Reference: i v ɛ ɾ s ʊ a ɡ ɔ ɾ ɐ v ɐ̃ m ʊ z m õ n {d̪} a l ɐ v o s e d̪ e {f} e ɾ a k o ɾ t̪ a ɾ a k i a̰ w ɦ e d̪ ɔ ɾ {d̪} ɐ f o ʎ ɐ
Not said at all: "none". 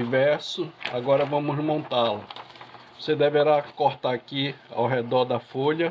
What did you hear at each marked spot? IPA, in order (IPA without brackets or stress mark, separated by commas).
t̪, v, d̪